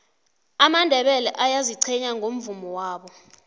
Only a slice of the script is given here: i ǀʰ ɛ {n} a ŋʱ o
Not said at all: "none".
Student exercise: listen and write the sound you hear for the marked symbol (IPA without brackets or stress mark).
ɲ